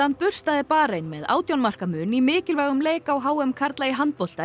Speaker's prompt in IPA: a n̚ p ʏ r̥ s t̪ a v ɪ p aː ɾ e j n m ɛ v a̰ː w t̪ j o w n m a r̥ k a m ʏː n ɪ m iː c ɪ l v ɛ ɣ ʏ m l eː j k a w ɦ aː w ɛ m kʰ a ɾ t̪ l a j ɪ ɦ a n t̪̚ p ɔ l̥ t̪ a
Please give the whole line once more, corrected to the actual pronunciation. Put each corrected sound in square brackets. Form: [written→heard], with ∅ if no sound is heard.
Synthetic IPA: a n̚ p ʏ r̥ s t̪ a [v→ð] ɪ p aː ɾ e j n m ɛ [v→ð] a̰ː w t̪ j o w n m a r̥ k a m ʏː n [ɪ→i] m [iː→ɪː] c ɪ l v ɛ ɣ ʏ m l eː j k a w ɦ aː w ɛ m kʰ a ɾ t̪ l a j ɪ ɦ a n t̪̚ p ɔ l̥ t̪ a